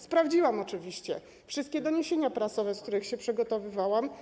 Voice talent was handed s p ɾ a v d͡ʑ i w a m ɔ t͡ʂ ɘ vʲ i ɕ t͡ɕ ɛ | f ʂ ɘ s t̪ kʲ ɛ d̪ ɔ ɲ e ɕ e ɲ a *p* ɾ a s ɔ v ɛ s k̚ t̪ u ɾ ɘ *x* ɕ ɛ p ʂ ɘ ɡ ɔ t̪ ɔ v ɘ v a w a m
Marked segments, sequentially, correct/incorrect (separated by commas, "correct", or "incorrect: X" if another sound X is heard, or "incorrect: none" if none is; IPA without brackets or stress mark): correct, correct